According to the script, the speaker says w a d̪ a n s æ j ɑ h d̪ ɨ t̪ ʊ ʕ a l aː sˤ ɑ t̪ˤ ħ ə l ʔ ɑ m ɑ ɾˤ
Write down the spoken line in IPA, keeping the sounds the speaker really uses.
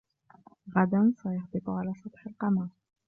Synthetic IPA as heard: ɣ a d̪ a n s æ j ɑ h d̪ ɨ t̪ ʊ ʕ a l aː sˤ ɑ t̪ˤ ħ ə l q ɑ m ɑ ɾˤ